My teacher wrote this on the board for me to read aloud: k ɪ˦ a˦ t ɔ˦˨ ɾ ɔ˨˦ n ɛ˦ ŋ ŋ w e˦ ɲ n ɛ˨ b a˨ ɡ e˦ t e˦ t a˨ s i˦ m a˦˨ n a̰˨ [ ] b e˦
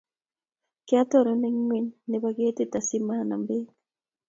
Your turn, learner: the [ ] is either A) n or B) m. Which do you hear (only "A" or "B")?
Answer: B